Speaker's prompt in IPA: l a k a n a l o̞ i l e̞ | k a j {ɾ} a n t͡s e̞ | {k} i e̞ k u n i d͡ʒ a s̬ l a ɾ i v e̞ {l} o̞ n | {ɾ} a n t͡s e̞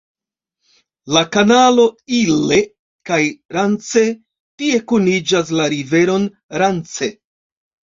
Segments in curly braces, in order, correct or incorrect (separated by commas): correct, incorrect, incorrect, correct